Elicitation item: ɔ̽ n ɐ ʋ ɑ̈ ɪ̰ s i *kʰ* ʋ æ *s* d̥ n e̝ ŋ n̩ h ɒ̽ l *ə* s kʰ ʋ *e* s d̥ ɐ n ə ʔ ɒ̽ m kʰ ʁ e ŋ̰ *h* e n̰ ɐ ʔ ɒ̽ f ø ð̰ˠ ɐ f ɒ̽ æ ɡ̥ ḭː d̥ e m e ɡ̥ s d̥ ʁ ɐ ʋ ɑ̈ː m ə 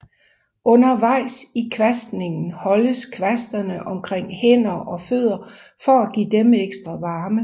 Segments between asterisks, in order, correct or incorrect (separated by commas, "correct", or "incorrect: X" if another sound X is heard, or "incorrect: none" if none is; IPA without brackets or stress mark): correct, correct, correct, incorrect: æ, correct